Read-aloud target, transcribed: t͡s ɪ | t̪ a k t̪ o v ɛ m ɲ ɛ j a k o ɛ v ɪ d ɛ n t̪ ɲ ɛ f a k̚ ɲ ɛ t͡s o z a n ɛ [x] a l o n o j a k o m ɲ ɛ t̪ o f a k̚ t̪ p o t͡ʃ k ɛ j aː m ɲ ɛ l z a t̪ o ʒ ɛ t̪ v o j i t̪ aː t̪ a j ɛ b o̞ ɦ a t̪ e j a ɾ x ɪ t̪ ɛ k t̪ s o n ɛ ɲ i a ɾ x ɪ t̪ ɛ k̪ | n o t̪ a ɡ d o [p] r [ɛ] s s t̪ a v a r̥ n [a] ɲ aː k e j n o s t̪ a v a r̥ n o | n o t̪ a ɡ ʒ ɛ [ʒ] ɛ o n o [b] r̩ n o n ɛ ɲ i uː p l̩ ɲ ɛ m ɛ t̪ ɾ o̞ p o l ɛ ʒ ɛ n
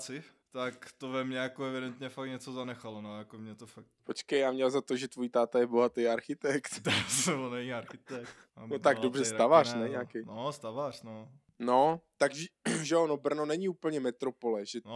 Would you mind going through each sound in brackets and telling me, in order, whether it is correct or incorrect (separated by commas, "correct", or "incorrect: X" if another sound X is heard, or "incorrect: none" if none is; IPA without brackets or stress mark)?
correct, incorrect: b, correct, incorrect: ɛ, correct, correct